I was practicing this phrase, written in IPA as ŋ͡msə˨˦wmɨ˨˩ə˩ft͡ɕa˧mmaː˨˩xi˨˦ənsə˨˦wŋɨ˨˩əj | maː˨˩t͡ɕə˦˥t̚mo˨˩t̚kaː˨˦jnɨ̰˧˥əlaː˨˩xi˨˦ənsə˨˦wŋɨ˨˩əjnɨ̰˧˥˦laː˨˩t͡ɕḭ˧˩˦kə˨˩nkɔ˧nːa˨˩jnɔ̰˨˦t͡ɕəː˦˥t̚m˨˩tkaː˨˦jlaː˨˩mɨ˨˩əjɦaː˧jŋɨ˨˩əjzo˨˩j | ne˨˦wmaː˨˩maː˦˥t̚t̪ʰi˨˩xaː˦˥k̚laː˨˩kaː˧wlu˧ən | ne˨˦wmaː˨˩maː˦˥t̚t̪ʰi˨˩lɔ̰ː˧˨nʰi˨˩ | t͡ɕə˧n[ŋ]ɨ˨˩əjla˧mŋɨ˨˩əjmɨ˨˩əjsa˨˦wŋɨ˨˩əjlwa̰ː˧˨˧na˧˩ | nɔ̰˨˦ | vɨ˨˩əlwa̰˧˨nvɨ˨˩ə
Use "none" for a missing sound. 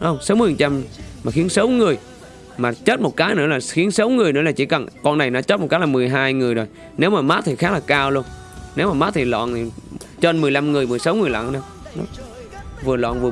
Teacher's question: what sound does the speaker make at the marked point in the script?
m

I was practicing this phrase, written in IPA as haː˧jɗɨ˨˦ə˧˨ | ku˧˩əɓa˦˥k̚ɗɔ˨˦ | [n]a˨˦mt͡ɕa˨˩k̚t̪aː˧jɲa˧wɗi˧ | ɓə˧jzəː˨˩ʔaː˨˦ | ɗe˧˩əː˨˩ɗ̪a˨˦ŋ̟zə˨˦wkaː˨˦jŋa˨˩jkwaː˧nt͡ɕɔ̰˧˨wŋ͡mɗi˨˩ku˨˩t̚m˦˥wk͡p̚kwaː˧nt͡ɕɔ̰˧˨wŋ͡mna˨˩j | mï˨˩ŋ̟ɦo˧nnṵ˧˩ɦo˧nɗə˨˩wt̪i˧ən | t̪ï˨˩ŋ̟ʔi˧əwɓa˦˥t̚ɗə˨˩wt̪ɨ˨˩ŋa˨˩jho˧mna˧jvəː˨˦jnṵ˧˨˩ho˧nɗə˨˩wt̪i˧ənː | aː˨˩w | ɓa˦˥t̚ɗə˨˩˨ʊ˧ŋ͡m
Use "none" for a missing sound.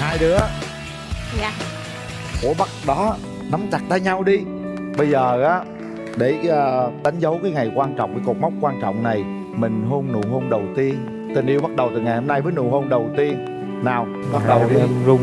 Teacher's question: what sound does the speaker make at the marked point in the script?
n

